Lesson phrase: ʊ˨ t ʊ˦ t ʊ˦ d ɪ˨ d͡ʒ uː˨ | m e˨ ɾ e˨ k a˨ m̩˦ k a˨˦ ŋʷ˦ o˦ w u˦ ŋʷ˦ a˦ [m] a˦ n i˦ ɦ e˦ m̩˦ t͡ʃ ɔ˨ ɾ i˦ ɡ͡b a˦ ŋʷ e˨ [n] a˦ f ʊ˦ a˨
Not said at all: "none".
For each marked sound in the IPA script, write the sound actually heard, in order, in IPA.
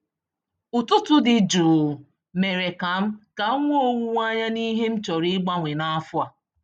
ɲ, n

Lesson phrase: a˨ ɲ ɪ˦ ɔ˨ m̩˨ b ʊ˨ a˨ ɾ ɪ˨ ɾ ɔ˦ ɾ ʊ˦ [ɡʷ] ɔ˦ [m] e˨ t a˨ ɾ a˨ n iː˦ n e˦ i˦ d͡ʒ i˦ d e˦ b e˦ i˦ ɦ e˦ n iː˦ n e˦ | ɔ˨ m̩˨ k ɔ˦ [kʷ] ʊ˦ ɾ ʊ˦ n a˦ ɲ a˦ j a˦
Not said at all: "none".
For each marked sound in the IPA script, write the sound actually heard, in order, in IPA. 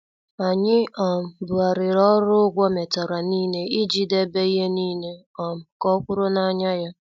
ɡʷ, m, kʷ

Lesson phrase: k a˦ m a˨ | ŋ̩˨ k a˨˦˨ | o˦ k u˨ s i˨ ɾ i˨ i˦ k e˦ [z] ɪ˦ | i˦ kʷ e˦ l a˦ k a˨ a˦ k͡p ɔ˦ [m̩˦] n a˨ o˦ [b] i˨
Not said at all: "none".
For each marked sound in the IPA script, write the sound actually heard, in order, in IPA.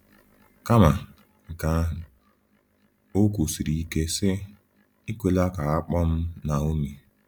s, m̩˦, m

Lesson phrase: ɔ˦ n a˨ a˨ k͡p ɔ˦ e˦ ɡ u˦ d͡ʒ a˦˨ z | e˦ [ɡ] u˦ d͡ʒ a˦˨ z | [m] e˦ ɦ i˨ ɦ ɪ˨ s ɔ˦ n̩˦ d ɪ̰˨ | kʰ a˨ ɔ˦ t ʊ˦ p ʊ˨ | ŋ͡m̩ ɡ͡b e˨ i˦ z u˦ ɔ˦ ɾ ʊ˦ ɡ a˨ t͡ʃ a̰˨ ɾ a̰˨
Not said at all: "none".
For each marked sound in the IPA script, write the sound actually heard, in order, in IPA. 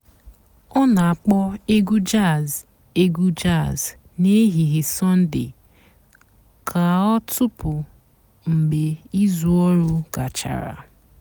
ɡ, n

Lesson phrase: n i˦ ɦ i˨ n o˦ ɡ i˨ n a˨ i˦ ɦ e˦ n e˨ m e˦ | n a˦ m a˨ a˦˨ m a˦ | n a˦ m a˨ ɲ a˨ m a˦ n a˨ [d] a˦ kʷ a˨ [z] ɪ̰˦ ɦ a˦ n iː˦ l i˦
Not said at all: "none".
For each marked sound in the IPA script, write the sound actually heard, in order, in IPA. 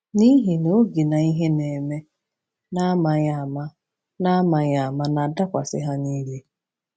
d, s

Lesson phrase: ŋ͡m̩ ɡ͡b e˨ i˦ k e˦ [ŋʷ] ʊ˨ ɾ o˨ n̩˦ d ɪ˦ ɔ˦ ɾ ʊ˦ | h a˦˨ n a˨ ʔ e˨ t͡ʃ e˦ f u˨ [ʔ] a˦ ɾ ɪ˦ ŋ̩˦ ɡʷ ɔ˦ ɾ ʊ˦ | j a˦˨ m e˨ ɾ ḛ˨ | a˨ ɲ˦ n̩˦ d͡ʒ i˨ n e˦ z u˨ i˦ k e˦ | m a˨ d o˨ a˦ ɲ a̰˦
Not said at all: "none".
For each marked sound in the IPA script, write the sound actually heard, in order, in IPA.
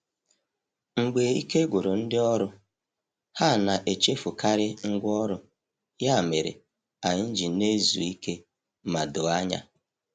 ɡʷ, k

